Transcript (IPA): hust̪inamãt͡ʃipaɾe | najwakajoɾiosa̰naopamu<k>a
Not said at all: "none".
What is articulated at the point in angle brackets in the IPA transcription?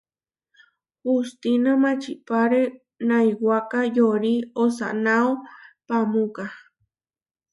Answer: k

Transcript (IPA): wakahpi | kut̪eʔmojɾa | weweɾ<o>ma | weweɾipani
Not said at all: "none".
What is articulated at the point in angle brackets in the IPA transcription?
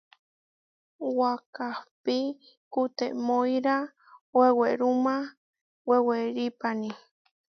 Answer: u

